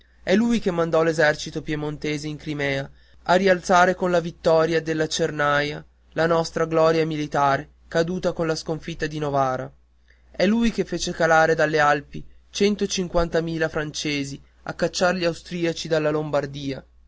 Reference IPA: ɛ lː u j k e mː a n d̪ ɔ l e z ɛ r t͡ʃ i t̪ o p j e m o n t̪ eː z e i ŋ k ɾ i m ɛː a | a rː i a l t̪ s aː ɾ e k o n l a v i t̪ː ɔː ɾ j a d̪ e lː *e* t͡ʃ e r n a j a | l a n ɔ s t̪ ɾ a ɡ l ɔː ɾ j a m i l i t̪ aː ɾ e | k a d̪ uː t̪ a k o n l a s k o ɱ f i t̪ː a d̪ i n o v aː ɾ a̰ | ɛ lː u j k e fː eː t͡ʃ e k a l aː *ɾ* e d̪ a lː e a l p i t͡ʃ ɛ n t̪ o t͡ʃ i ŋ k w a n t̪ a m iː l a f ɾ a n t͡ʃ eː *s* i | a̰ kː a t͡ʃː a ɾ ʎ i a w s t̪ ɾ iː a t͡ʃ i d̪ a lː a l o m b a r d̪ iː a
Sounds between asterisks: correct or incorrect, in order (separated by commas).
incorrect, correct, incorrect